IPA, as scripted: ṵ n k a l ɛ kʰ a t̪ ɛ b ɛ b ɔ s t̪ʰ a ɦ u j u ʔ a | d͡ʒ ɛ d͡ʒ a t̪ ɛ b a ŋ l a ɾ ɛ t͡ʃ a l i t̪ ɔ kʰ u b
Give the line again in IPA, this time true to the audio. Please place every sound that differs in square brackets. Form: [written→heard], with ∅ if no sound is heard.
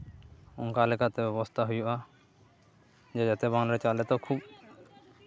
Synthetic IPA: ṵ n k a l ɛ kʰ a t̪ ɛ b ɛ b ɔ s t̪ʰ a ɦ u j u ʔ a | d͡ʒ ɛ d͡ʒ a t̪ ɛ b a ŋ l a ɾ ɛ t͡ʃ a l [i→ɛ] t̪ ɔ kʰ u b